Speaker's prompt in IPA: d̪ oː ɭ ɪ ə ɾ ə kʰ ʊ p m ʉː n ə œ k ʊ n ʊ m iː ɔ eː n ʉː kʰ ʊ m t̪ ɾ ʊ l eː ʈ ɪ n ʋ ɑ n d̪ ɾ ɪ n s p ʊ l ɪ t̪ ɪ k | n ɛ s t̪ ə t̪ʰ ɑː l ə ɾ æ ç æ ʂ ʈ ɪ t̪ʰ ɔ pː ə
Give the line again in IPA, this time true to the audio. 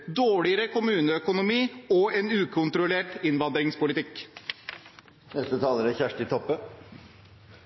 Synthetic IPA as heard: d̪ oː ɭ ɪ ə ɾ ə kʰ ʊ m ʉː n ə œ k ʊ n ʊ m iː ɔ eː n ʉː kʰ ʊ n t̪ ɾ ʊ l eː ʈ ɪ n ʋ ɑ n d̪ ɾ ɪ ŋ s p ʊ l ɪ t̪ ɪ k | n ɛ s t̪ ə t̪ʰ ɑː l ə ɾ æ ç æ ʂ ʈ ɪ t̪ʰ ɔ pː ə